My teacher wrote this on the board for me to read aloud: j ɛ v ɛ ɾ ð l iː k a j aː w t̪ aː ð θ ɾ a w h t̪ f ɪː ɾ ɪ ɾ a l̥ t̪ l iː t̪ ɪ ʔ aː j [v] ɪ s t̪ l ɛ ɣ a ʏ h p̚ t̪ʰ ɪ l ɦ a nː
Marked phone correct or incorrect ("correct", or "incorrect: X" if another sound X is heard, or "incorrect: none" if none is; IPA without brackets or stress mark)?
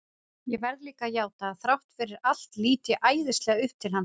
incorrect: ð